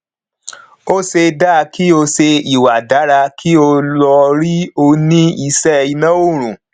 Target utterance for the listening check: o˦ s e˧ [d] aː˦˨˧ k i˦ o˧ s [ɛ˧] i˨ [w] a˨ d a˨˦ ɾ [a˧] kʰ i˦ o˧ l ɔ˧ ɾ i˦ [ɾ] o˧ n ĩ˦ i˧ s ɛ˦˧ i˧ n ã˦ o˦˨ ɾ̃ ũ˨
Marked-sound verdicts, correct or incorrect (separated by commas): correct, incorrect, correct, correct, incorrect